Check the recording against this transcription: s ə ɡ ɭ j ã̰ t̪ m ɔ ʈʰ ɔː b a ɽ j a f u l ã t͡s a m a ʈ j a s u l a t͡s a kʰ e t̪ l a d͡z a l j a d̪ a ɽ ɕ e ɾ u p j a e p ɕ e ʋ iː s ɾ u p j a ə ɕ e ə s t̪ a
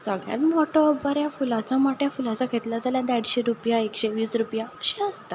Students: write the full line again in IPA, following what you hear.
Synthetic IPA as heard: s ə ɡ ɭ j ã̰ t̪ m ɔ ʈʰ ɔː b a ɾ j a f u l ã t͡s a m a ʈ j a f u l a t͡s a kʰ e t̪ l a d͡z a l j a d̪ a ɽ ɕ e ɾ u p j a e k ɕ e ʋ iː s ɾ u p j a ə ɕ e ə s t̪ a